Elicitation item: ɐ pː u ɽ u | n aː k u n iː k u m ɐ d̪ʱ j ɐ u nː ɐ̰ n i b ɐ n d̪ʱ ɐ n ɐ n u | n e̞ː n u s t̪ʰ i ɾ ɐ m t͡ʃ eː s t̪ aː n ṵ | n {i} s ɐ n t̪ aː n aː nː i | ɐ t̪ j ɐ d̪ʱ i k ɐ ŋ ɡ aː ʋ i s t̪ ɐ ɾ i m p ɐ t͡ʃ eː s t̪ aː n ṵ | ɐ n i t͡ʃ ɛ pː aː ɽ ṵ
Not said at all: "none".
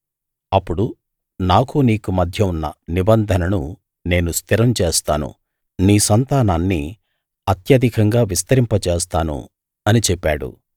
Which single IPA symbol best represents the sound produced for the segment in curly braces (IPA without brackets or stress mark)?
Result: iː